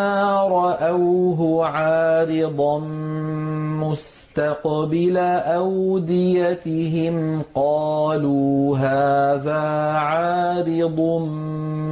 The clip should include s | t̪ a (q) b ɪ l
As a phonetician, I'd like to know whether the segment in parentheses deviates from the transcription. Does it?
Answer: no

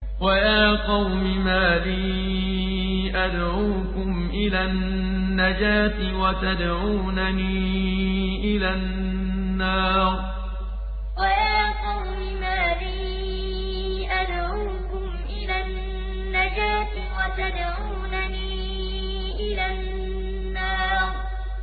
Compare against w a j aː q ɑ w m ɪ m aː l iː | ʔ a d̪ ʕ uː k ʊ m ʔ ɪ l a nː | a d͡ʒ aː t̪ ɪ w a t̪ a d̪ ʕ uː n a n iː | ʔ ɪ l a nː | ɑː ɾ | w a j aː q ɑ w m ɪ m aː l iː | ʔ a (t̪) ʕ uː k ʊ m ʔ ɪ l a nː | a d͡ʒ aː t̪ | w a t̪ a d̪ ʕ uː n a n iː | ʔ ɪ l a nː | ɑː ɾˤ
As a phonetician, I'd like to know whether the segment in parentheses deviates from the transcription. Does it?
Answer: yes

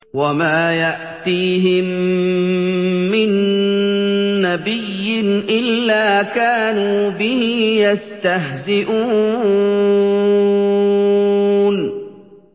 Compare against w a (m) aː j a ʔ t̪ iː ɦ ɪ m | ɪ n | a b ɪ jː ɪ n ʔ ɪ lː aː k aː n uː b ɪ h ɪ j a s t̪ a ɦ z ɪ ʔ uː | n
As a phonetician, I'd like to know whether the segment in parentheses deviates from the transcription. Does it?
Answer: no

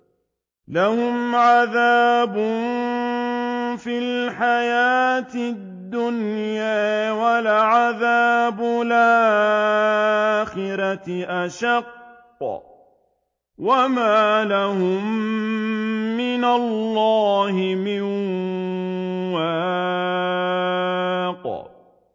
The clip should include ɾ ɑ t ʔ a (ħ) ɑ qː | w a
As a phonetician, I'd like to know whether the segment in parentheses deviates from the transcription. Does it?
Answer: yes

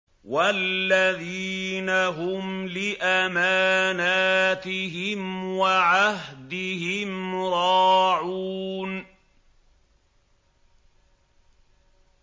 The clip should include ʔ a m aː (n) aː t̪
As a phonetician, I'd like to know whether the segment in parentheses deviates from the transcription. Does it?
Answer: no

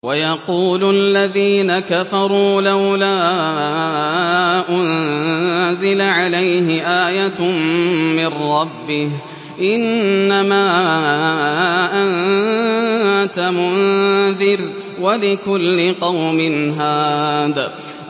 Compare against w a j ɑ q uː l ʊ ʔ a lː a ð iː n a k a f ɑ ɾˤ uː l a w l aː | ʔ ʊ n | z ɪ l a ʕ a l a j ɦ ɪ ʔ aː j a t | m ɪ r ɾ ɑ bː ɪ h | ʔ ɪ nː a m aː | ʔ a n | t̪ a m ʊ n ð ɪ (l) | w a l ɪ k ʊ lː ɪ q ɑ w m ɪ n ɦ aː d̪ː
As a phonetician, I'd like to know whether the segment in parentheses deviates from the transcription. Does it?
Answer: yes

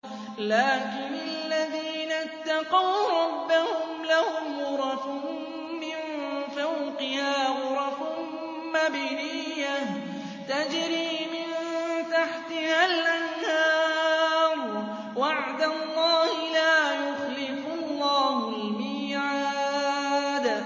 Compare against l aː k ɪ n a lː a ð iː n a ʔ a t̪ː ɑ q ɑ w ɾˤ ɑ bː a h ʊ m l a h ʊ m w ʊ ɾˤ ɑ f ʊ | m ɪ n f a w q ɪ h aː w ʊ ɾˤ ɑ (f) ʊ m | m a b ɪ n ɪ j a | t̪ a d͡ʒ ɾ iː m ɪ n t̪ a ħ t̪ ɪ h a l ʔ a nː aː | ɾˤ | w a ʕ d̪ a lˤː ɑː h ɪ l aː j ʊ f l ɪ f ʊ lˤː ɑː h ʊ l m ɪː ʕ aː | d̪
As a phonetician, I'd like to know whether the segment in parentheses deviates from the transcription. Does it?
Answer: no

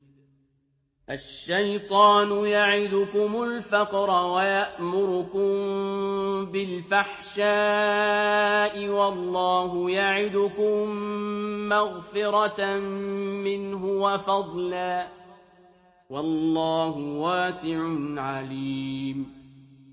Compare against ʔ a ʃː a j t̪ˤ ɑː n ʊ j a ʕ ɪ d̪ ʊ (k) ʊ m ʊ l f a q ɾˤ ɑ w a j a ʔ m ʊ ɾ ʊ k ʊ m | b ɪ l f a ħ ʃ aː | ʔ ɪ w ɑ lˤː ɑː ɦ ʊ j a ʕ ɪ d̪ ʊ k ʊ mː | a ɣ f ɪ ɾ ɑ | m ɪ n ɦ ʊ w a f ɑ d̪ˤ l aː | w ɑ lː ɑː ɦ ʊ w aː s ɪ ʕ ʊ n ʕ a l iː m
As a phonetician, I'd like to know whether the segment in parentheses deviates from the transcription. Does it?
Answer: no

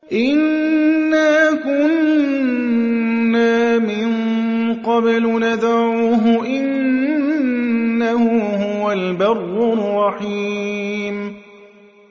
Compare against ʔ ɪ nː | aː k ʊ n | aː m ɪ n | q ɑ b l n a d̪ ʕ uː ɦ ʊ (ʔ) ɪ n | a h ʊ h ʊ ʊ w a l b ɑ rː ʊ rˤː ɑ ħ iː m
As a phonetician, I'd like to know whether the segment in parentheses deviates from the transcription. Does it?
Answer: no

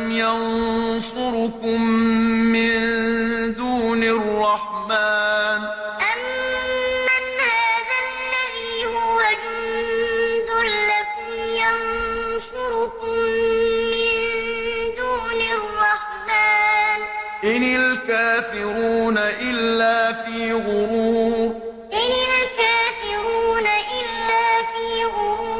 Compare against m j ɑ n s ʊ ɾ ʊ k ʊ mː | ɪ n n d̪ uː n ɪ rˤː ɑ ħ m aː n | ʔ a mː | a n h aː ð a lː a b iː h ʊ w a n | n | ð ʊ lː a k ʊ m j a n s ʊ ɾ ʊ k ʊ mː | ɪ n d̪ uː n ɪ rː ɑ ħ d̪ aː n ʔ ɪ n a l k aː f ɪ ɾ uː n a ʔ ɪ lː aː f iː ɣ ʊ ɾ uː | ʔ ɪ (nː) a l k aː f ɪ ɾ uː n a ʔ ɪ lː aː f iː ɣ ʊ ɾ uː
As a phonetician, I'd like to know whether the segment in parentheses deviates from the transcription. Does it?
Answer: yes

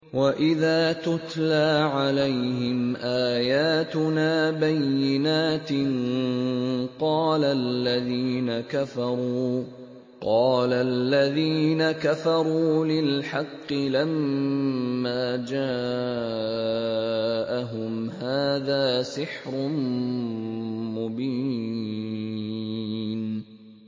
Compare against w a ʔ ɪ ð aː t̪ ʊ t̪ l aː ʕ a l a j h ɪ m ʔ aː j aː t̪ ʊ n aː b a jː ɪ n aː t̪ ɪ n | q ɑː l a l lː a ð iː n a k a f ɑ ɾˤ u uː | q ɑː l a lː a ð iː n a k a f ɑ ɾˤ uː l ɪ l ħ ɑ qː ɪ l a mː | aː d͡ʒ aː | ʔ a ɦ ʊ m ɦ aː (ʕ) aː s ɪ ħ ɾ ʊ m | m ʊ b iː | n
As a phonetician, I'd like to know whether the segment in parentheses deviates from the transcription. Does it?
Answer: yes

